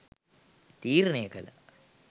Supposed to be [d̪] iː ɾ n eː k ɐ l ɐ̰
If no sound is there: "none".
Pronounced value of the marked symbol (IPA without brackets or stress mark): t̪